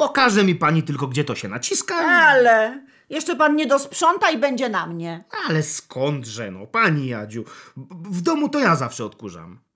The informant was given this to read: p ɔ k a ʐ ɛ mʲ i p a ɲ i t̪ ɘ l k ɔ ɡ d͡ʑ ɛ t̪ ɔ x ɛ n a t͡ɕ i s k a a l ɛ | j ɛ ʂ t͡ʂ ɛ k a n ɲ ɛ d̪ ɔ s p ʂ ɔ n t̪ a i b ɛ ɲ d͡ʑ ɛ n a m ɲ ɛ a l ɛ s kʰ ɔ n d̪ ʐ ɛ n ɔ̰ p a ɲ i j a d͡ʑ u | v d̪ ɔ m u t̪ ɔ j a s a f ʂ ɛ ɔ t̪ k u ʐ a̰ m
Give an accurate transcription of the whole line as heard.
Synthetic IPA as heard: p ɔ k a ʐ ɛ mʲ i p a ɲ i t̪ ɘ l k ɔ ɡ d͡ʑ ɛ t̪ ɔ ɕ ɛ n a t͡ɕ i s k a a l ɛ | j ɛ ʂ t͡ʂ ɛ p a n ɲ ɛ d̪ ɔ s p ʂ ɔ n t̪ a i b ɛ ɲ d͡ʑ ɛ n a m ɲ ɛ a l ɛ s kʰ ɔ n d̪ ʐ ɛ n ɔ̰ p a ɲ i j a d͡ʑ u | v d̪ ɔ m u t̪ ɔ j a z a f ʂ ɛ ɔ t̪ k u ʐ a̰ m